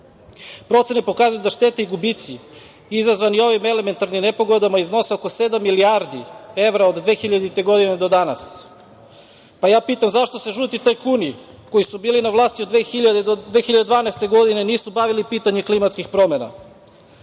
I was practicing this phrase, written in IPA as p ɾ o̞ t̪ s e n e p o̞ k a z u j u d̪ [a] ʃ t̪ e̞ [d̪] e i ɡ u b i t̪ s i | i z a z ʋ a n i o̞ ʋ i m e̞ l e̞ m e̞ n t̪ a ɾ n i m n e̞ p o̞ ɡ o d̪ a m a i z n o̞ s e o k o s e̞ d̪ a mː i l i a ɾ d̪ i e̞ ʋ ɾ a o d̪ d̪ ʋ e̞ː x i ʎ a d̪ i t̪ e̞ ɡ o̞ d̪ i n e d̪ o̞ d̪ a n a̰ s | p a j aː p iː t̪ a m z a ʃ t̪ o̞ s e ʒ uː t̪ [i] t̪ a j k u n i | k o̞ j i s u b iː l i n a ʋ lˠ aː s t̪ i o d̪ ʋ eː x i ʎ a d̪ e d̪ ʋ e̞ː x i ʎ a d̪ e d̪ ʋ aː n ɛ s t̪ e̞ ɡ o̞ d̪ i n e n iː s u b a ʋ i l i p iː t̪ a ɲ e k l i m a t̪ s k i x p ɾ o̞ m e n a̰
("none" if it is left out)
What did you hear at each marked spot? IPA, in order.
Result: a, t̪, i

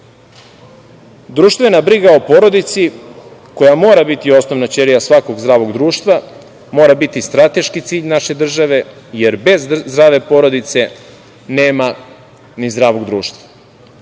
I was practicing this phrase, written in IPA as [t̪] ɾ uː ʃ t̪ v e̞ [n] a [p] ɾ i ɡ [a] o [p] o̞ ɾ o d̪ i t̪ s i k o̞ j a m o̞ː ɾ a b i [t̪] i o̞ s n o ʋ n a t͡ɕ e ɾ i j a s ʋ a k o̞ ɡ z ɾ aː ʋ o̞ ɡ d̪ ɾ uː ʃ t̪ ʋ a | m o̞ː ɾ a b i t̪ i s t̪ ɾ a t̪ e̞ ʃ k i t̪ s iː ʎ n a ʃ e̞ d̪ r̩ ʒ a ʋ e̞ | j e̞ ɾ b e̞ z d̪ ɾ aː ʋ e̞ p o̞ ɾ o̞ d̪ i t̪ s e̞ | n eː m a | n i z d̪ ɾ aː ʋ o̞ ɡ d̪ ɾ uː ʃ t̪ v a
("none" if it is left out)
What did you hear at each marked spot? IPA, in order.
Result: d̪, n, b, a, p, t̪

